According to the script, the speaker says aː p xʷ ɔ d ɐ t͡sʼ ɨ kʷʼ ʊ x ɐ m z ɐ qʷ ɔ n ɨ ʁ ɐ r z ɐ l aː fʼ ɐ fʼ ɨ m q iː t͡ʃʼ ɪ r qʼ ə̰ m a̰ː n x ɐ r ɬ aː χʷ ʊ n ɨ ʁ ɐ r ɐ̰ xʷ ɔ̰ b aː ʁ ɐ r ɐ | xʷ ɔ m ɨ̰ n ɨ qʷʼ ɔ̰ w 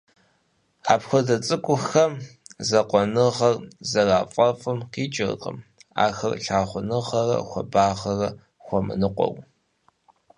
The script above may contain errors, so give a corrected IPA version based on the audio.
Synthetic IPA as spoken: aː p xʷ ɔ d ɐ t͡sʼ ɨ kʷʼ ʊ x ɐ m z ɐ qʷ ɔ n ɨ ʁ ɐ r z ɐ r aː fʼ ɐ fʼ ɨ m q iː t͡ʃʼ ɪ r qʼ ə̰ m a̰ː x ɐ r ɬ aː χʷ ʊ n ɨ ʁ ɐ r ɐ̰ xʷ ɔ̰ b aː ʁ ɐ r ɐ | xʷ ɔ m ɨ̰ n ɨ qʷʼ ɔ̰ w